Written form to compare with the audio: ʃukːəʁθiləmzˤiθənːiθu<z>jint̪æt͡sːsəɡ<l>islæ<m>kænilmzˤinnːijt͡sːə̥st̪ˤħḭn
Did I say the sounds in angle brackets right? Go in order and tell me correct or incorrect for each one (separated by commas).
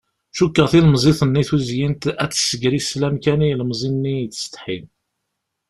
correct, incorrect, correct